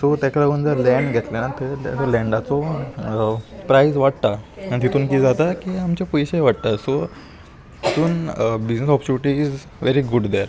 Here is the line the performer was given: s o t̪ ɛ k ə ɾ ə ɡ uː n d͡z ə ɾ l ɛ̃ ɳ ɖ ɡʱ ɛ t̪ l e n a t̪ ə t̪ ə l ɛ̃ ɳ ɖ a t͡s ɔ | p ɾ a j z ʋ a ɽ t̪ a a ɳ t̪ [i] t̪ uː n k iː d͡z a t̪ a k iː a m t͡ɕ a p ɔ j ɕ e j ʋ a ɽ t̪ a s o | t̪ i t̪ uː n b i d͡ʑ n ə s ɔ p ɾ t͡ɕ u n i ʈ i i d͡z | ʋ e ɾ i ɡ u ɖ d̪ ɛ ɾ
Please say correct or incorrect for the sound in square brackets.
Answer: correct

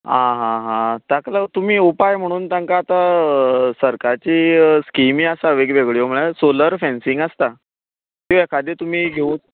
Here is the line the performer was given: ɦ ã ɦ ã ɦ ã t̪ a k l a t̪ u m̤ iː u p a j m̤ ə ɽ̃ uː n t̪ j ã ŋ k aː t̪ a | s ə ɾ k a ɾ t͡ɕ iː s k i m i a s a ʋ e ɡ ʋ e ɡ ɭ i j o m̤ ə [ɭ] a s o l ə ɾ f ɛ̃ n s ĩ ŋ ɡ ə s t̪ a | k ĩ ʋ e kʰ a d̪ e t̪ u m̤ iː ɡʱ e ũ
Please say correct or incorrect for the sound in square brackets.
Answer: correct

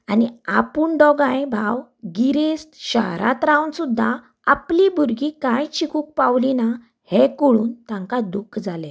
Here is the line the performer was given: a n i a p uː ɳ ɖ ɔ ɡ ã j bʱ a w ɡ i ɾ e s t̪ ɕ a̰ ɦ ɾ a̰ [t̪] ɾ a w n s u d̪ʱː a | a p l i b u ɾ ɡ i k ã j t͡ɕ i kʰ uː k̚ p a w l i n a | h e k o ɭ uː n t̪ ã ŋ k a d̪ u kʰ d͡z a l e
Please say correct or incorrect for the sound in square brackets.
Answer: correct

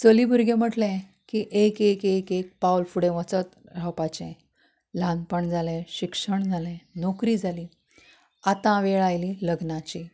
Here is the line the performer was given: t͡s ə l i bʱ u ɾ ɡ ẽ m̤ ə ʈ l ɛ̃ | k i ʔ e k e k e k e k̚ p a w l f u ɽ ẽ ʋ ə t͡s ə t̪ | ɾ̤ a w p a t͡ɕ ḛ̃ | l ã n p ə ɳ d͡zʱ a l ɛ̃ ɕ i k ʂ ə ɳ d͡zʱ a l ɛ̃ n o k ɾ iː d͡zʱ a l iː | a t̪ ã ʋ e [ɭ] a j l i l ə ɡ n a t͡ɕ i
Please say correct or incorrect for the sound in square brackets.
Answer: correct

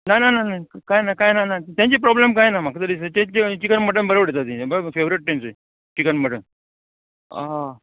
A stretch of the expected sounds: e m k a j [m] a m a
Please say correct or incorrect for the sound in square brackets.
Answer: incorrect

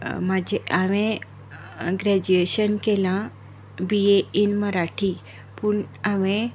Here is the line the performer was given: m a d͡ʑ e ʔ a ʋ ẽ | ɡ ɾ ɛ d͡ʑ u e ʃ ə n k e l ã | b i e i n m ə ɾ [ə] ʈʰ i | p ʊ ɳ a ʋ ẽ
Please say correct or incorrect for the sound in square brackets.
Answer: incorrect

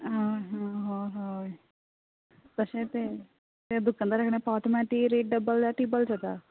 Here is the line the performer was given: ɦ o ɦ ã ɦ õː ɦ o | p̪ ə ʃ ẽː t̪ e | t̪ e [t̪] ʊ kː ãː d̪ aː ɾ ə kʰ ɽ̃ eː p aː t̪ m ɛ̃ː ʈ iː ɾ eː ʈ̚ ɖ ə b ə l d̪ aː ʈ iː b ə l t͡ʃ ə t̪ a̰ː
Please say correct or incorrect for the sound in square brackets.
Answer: incorrect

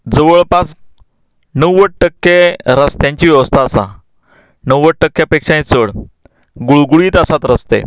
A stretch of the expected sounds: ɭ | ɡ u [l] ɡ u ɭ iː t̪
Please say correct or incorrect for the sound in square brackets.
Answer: incorrect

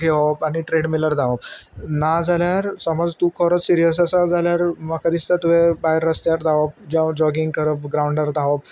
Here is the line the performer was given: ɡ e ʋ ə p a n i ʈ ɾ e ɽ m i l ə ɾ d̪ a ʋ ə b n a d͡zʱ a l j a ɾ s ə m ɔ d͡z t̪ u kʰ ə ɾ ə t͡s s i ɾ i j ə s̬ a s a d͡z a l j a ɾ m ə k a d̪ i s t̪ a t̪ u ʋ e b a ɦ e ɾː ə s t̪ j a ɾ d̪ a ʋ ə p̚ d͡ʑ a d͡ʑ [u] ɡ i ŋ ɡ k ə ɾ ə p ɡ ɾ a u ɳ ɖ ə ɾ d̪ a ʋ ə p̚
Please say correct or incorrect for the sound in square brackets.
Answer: incorrect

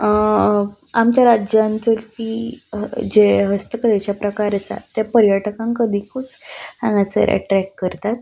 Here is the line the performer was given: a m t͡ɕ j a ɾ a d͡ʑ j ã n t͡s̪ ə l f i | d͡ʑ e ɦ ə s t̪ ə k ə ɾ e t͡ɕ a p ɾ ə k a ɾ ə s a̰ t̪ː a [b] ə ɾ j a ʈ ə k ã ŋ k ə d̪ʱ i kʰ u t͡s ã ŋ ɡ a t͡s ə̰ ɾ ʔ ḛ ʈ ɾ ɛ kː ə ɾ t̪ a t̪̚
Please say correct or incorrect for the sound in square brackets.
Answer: incorrect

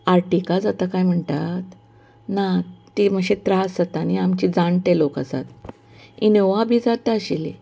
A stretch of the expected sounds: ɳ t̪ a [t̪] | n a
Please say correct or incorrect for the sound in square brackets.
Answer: correct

